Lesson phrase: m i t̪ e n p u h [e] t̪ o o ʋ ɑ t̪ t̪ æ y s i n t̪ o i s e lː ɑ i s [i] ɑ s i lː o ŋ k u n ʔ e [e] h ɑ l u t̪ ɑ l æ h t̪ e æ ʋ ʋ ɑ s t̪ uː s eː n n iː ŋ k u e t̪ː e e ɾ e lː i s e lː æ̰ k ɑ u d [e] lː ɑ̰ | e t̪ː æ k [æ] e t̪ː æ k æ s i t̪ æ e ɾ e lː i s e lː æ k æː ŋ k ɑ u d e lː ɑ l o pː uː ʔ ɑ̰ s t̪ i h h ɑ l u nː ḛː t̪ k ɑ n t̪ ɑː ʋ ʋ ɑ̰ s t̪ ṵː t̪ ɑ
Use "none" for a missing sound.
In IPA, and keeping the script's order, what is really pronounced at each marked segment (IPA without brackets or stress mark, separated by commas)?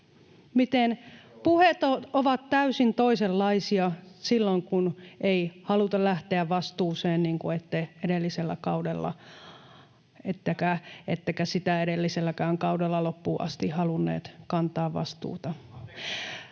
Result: e, i, i, e, æ